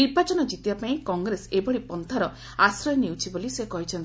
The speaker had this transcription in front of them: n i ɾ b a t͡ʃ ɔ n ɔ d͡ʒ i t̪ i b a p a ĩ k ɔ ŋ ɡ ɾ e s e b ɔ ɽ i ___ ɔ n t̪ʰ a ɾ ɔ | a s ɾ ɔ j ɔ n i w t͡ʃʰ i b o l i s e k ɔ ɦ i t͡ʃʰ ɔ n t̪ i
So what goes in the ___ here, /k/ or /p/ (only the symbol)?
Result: p